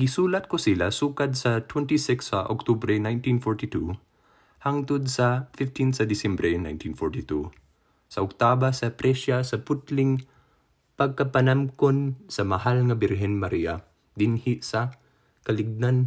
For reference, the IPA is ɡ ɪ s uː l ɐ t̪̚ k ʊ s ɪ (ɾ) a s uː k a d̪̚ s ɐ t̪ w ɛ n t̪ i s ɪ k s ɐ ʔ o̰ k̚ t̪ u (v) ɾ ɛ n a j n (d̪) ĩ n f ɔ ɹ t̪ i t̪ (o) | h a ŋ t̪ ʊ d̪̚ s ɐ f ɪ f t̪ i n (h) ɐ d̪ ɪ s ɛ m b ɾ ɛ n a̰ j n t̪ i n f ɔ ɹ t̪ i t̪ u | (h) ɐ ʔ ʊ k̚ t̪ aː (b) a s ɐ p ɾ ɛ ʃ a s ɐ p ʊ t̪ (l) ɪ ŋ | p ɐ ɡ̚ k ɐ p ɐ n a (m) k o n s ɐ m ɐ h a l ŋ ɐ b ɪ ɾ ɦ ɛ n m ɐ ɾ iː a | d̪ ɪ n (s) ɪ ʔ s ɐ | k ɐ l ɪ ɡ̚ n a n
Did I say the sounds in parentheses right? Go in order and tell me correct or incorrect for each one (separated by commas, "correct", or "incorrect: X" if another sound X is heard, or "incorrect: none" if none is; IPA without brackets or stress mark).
incorrect: l, incorrect: b, incorrect: t̪, incorrect: u, incorrect: s, incorrect: s, correct, correct, correct, incorrect: h